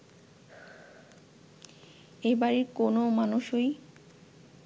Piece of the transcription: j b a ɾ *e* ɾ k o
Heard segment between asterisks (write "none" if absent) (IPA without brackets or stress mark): i